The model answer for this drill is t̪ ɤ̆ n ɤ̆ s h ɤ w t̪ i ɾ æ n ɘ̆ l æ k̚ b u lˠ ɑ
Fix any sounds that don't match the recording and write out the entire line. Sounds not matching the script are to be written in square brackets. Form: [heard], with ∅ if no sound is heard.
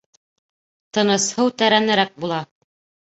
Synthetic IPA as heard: t̪ ɤ̆ n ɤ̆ s h ɤ w t̪ [æ] ɾ æ n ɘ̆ [ɾ] æ k̚ b u lˠ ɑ